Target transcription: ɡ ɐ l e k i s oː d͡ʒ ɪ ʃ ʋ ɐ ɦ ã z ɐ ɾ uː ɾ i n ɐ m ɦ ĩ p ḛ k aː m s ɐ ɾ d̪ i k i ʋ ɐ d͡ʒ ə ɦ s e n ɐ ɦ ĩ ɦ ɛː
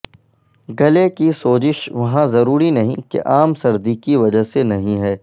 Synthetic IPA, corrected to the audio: ɡ ɐ l e k i s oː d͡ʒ ɪ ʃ ʋ ɐ ɦ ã z ɐ ɾ uː ɾ i n ɐ ɦ ĩ k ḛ ʔ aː m s ɐ ɾ d̪ i k i ʋ ɐ d͡ʒ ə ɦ s e n ɐ ɦ ĩ ɦ ɛː